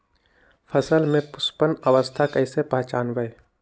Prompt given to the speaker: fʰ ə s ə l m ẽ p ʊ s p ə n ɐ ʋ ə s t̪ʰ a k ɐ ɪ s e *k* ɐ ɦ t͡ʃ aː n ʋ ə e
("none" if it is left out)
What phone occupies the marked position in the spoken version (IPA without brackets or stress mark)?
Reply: p